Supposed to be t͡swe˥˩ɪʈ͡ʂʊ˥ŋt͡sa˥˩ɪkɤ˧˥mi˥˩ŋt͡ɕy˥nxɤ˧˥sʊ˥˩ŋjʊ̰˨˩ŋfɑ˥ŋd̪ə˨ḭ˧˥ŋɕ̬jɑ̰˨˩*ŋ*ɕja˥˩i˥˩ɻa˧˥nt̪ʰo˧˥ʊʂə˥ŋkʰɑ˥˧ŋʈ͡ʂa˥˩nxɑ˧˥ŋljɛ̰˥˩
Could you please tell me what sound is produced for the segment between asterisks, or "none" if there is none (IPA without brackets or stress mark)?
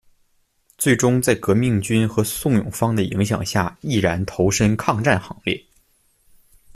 ŋ